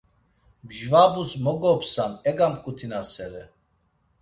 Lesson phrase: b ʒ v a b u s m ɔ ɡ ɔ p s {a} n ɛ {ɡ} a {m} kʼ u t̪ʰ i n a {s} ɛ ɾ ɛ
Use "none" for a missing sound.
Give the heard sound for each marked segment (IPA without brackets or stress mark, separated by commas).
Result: a, ɡ, m, s